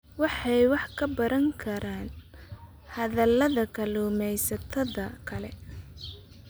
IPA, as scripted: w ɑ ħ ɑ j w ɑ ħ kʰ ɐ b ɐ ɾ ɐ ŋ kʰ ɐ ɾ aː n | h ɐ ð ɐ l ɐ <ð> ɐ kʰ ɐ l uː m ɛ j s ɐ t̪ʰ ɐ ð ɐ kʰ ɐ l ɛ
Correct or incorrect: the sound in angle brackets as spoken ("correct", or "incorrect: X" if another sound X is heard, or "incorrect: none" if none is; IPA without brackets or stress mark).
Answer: correct